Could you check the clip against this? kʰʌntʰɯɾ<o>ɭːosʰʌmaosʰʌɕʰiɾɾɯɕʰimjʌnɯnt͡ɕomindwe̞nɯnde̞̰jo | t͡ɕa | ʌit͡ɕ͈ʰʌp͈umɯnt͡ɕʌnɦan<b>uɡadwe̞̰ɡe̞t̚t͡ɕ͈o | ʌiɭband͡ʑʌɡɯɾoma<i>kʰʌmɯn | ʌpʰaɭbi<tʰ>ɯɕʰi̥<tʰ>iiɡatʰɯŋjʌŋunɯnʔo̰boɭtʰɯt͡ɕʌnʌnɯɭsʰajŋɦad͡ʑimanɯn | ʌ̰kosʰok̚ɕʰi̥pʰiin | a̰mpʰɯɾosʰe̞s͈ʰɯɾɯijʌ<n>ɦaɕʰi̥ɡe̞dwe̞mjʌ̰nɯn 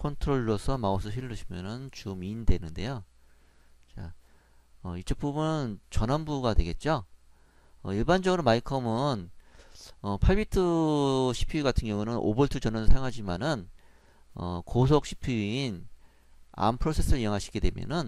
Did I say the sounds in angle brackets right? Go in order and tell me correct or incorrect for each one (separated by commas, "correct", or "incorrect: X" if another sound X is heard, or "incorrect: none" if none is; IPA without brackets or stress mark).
correct, correct, correct, correct, incorrect: pʰ, incorrect: ŋ